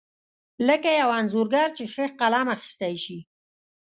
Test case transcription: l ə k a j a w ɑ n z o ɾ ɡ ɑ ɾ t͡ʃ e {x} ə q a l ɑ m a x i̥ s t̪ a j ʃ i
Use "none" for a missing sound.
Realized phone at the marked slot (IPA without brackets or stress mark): x